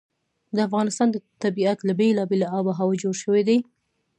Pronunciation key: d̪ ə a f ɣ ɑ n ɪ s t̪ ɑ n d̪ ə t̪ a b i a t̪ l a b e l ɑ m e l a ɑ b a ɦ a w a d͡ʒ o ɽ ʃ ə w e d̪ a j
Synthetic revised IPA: d̪ ə a f ɣ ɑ n ɪ s t̪ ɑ n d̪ ə t̪ a b i a t̪ l a b e l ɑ b e l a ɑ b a ɦ a w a d͡ʒ o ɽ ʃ ə w e d̪ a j